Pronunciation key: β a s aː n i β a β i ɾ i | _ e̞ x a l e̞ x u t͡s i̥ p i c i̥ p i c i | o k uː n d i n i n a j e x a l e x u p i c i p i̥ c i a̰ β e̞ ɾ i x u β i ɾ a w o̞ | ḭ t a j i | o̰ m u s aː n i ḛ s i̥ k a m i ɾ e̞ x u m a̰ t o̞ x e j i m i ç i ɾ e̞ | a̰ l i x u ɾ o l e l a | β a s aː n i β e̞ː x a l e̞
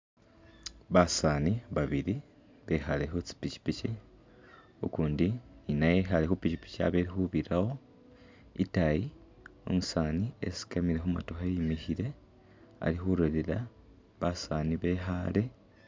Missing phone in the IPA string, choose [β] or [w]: β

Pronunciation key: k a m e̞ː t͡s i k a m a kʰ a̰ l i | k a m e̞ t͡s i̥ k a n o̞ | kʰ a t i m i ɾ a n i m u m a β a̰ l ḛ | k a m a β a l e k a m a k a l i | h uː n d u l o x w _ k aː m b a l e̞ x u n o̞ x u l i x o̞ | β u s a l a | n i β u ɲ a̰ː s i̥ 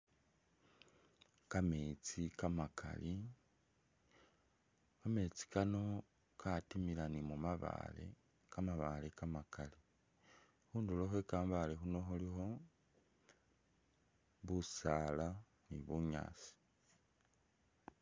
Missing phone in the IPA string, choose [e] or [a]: e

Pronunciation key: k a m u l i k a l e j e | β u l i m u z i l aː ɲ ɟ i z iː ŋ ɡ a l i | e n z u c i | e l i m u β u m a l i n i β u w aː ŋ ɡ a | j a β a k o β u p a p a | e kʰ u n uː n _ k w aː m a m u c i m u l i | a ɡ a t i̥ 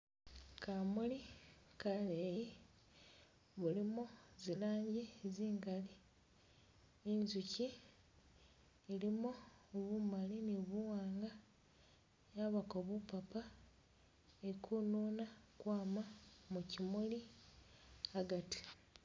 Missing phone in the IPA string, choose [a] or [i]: a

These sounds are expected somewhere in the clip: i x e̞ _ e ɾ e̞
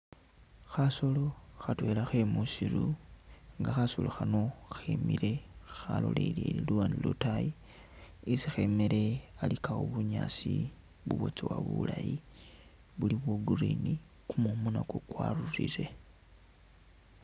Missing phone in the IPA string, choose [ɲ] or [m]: m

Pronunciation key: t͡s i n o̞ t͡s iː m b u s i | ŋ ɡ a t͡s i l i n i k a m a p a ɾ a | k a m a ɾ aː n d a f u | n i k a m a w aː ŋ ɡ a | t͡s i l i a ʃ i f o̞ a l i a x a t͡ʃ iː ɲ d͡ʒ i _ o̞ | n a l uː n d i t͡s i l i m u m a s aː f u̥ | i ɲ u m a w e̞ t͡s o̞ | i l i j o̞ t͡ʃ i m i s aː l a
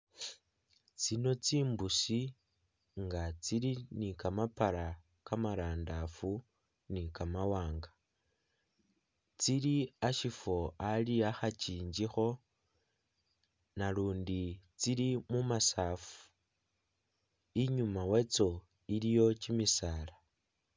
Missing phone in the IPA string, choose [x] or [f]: x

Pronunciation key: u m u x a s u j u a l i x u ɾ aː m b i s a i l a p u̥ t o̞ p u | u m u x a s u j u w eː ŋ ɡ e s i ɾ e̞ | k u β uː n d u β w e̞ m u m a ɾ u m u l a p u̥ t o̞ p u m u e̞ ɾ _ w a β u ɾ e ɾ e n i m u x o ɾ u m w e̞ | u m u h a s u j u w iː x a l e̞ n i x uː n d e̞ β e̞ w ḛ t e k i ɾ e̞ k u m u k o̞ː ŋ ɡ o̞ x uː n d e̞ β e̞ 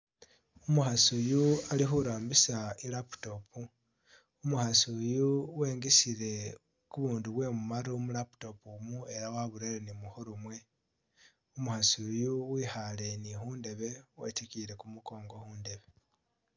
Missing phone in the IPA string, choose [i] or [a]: a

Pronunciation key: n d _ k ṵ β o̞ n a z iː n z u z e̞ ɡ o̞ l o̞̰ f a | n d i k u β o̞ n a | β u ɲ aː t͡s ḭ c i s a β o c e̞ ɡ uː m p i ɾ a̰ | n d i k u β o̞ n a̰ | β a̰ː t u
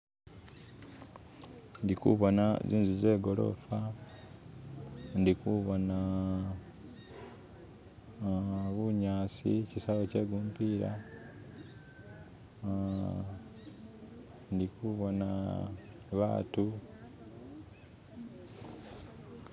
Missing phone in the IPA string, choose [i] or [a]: i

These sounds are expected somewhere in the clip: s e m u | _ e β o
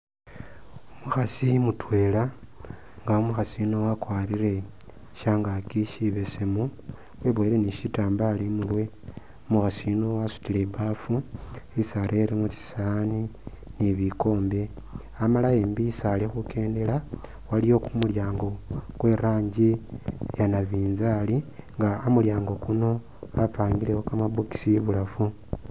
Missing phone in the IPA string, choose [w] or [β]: w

